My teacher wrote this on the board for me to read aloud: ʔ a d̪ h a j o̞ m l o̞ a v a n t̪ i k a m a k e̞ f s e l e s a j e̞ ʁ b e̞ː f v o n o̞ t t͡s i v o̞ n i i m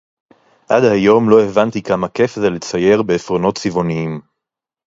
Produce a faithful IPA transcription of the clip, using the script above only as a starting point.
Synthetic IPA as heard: ʔ a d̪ h a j o̞ m l o̞ e v a n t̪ i k a m a k e̞ f z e l e t͡s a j e̞ ʁ b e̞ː f ʁ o n o̞ t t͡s i v o̞ n i i m